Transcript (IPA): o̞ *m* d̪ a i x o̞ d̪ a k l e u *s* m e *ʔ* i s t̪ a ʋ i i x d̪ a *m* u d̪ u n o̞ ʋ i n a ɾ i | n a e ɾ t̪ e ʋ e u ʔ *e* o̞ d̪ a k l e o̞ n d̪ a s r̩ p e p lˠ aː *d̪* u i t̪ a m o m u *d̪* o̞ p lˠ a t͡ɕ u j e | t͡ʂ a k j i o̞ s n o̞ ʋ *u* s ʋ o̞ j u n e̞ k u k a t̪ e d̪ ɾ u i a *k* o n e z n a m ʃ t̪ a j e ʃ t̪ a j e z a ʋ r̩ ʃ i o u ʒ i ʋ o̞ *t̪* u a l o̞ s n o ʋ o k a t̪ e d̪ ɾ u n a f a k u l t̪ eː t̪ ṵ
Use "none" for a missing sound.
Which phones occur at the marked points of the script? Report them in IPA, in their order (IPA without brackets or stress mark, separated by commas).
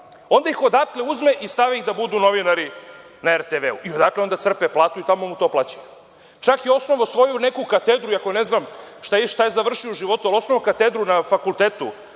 n, z, ʔ, b, i, t̪, t̪, o, k, t̪